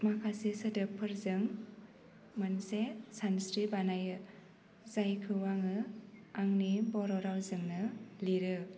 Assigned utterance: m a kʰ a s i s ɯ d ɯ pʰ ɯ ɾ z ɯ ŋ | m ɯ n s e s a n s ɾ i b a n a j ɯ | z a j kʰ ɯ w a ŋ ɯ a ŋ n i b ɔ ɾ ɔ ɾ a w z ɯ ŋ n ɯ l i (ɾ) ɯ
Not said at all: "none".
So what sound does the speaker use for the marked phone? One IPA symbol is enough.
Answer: ɾ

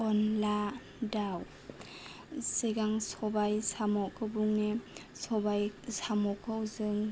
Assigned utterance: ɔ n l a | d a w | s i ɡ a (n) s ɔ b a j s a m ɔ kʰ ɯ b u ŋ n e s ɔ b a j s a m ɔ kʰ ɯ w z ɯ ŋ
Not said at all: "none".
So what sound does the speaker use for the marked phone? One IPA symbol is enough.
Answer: ŋ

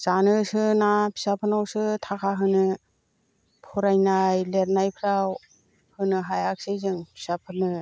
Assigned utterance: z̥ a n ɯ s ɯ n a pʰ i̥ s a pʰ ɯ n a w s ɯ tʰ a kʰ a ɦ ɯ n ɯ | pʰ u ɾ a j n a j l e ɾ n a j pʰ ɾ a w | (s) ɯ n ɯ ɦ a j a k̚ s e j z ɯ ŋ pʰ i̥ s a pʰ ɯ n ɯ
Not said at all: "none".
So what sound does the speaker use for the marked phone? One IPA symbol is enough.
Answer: h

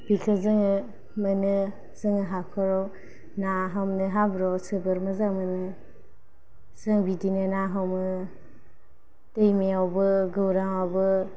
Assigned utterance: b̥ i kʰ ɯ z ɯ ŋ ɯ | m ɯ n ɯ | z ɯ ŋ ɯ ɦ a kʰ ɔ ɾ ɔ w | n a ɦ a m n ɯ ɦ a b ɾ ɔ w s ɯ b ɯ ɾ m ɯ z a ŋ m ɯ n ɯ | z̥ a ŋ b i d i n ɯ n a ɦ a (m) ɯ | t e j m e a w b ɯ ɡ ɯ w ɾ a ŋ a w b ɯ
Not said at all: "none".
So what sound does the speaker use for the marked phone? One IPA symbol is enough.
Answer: m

